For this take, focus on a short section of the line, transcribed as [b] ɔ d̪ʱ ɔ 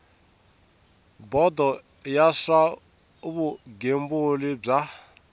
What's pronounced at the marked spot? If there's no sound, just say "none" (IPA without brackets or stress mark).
b